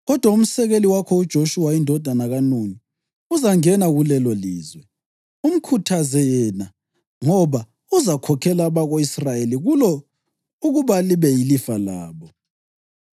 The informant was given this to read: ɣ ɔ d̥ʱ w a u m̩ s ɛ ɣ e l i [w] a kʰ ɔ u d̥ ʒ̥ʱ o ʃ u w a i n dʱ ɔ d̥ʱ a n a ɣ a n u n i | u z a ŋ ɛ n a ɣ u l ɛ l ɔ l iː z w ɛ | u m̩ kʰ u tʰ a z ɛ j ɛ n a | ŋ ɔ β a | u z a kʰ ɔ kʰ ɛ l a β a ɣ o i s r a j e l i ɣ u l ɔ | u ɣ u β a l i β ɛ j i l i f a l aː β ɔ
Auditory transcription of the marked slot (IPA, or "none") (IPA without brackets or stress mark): w